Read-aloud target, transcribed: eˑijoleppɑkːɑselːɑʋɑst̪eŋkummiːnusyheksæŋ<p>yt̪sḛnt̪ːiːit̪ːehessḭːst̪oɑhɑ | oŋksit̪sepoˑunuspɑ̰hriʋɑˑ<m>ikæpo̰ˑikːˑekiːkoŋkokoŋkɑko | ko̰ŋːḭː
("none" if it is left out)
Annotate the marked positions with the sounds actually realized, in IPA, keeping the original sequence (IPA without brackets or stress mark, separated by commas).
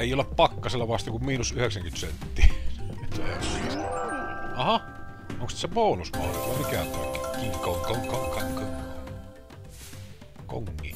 k, m